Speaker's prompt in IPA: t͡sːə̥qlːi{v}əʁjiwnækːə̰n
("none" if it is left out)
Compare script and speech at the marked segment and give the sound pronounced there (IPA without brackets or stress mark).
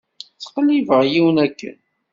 v